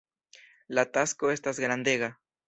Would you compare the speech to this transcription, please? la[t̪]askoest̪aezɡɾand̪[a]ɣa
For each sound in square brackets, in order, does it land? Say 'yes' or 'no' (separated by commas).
yes, no